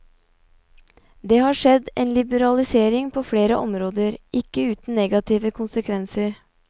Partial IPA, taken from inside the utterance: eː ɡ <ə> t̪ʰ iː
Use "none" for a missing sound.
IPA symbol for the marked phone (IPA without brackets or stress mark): ɑ